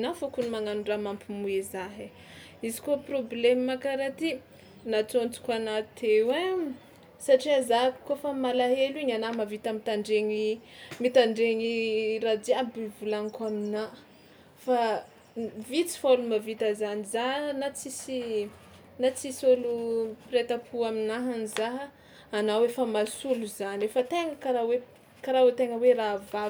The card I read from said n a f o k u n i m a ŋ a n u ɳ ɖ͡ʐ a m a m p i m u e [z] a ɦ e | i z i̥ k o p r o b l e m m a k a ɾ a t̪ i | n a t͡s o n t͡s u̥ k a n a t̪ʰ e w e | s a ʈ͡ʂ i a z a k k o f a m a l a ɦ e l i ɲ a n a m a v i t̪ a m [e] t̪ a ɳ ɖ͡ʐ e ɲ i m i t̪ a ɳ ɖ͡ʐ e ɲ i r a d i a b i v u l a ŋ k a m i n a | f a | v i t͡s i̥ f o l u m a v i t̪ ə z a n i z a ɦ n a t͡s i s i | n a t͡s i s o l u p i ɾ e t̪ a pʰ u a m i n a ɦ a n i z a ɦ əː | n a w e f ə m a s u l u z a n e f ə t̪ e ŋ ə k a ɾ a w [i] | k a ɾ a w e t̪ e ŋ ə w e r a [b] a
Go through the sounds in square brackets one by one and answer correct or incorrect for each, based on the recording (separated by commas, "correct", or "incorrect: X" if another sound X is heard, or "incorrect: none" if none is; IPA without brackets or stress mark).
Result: correct, incorrect: i, incorrect: e, incorrect: v